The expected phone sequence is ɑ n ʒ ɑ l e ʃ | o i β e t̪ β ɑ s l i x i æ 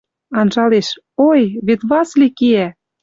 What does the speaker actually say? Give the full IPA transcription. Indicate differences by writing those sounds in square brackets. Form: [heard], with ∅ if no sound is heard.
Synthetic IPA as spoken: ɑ n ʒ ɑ l e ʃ | o [j] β e t̪ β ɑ s l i [k] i æ